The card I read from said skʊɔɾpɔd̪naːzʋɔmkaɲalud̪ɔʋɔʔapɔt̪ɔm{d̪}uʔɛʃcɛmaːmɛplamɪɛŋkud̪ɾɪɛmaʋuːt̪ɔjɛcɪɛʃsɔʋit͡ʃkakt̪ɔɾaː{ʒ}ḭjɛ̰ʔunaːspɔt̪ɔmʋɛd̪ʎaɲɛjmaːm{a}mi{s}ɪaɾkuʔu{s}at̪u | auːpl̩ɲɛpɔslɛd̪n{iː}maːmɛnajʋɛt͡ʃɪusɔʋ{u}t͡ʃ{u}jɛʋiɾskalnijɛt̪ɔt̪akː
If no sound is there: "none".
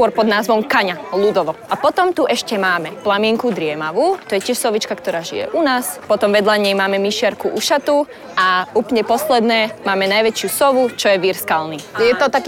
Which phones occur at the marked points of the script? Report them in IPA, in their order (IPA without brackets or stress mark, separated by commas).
t̪, ʒ, ɛ, ʃ, ʃ, ɛː, u, ɔ